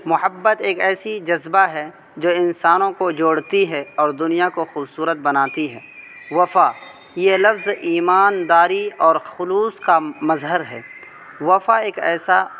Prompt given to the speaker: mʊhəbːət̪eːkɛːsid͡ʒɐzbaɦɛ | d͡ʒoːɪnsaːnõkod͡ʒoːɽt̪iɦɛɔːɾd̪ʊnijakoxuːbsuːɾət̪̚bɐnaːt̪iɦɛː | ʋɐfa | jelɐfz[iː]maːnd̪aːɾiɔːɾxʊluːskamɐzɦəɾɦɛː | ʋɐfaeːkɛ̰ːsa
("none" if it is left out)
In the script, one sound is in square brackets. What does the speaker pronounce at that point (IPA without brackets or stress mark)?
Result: iː